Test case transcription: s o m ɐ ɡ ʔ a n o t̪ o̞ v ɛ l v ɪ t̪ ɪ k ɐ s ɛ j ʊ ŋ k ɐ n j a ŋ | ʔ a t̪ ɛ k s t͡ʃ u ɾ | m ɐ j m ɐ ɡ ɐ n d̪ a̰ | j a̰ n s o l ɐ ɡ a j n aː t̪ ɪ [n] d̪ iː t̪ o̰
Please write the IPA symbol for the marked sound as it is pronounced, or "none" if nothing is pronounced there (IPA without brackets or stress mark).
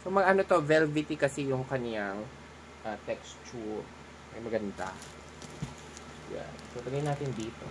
n